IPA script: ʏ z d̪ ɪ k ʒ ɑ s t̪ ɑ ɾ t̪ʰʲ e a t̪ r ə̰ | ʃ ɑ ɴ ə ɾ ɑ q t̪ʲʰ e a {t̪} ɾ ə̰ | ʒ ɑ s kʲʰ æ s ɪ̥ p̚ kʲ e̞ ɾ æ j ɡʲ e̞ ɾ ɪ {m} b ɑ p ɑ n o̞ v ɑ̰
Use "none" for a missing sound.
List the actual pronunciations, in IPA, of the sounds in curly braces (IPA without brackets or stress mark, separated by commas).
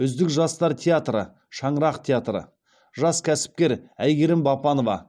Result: t̪, m